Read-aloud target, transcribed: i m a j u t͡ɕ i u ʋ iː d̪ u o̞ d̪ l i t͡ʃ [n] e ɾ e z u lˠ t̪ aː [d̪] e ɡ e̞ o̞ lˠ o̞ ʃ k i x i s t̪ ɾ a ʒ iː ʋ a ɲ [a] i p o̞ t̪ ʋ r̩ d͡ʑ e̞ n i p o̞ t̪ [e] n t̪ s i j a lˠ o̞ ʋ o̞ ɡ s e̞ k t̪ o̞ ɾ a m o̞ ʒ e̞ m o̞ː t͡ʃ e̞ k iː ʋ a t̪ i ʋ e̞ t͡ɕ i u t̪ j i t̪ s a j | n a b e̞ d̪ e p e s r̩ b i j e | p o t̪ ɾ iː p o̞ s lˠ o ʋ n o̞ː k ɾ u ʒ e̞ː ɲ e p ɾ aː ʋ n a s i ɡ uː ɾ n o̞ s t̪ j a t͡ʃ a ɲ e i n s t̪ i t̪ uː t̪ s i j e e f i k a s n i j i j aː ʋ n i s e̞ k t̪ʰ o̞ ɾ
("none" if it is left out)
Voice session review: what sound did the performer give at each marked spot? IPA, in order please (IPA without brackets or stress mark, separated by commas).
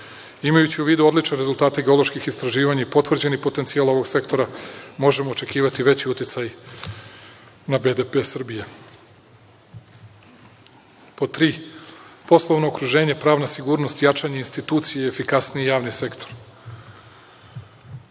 n, t̪, a, e